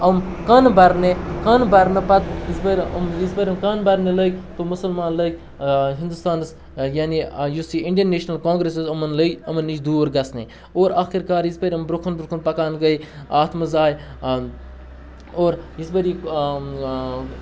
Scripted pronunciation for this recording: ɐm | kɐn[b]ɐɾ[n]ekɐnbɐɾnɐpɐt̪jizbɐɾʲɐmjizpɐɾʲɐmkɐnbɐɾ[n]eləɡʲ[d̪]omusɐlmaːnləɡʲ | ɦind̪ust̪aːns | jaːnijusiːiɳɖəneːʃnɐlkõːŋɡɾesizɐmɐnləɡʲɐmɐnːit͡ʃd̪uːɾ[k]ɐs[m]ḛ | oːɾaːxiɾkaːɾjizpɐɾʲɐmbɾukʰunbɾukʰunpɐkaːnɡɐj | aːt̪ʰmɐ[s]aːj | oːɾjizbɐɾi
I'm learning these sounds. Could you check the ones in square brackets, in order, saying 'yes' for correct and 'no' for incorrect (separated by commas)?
yes, yes, yes, no, no, no, no